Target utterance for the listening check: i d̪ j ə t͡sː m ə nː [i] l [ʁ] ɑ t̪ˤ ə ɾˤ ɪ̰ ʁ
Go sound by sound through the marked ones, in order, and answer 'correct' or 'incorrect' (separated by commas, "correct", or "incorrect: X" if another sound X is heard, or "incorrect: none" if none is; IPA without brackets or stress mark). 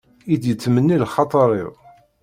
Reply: correct, incorrect: χ